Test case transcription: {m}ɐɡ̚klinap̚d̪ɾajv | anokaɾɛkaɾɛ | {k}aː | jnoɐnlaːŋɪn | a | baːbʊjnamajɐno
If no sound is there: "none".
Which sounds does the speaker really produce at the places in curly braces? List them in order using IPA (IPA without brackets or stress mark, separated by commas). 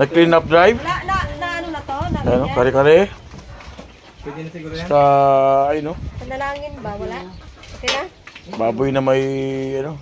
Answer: n, k